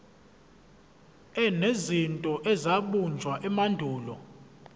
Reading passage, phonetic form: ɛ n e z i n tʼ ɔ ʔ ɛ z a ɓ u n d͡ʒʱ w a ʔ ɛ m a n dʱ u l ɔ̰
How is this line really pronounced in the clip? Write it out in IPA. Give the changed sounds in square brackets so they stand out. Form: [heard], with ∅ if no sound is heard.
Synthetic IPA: ɛ n e z i n tʼ ɔ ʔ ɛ z a ɓ u n d͡ʒʱ w a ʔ ɛ m a n dʱ [uː] l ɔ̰